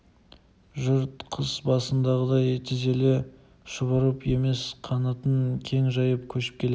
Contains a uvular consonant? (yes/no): yes